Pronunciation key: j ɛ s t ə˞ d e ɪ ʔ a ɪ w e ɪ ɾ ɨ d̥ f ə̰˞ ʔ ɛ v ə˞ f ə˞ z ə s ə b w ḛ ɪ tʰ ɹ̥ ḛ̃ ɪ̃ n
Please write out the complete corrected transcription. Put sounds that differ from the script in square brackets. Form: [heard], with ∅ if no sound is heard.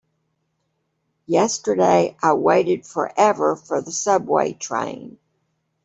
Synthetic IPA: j ɛ s t ə˞ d e ɪ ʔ a ɪ w e ɪ ɾ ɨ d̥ f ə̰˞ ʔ ɛ v ə˞ f ə˞ [ð] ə s [ʌ] b w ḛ ɪ tʰ ɹ̥ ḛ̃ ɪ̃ n